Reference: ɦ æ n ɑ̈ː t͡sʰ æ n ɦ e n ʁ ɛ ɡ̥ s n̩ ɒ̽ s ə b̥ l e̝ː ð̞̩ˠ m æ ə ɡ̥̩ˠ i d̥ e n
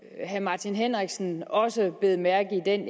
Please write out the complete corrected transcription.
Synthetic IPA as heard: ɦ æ m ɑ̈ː t͡sʰ i n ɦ e n ʁ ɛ ɡ̥ s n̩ ɒ̽ s ə b̥ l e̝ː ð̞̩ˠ m æ ɐ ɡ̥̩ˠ i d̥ e n